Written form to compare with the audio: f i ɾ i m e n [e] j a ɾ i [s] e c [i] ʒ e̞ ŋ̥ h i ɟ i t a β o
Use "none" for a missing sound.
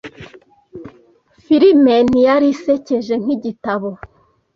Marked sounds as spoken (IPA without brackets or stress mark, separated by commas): i, s, e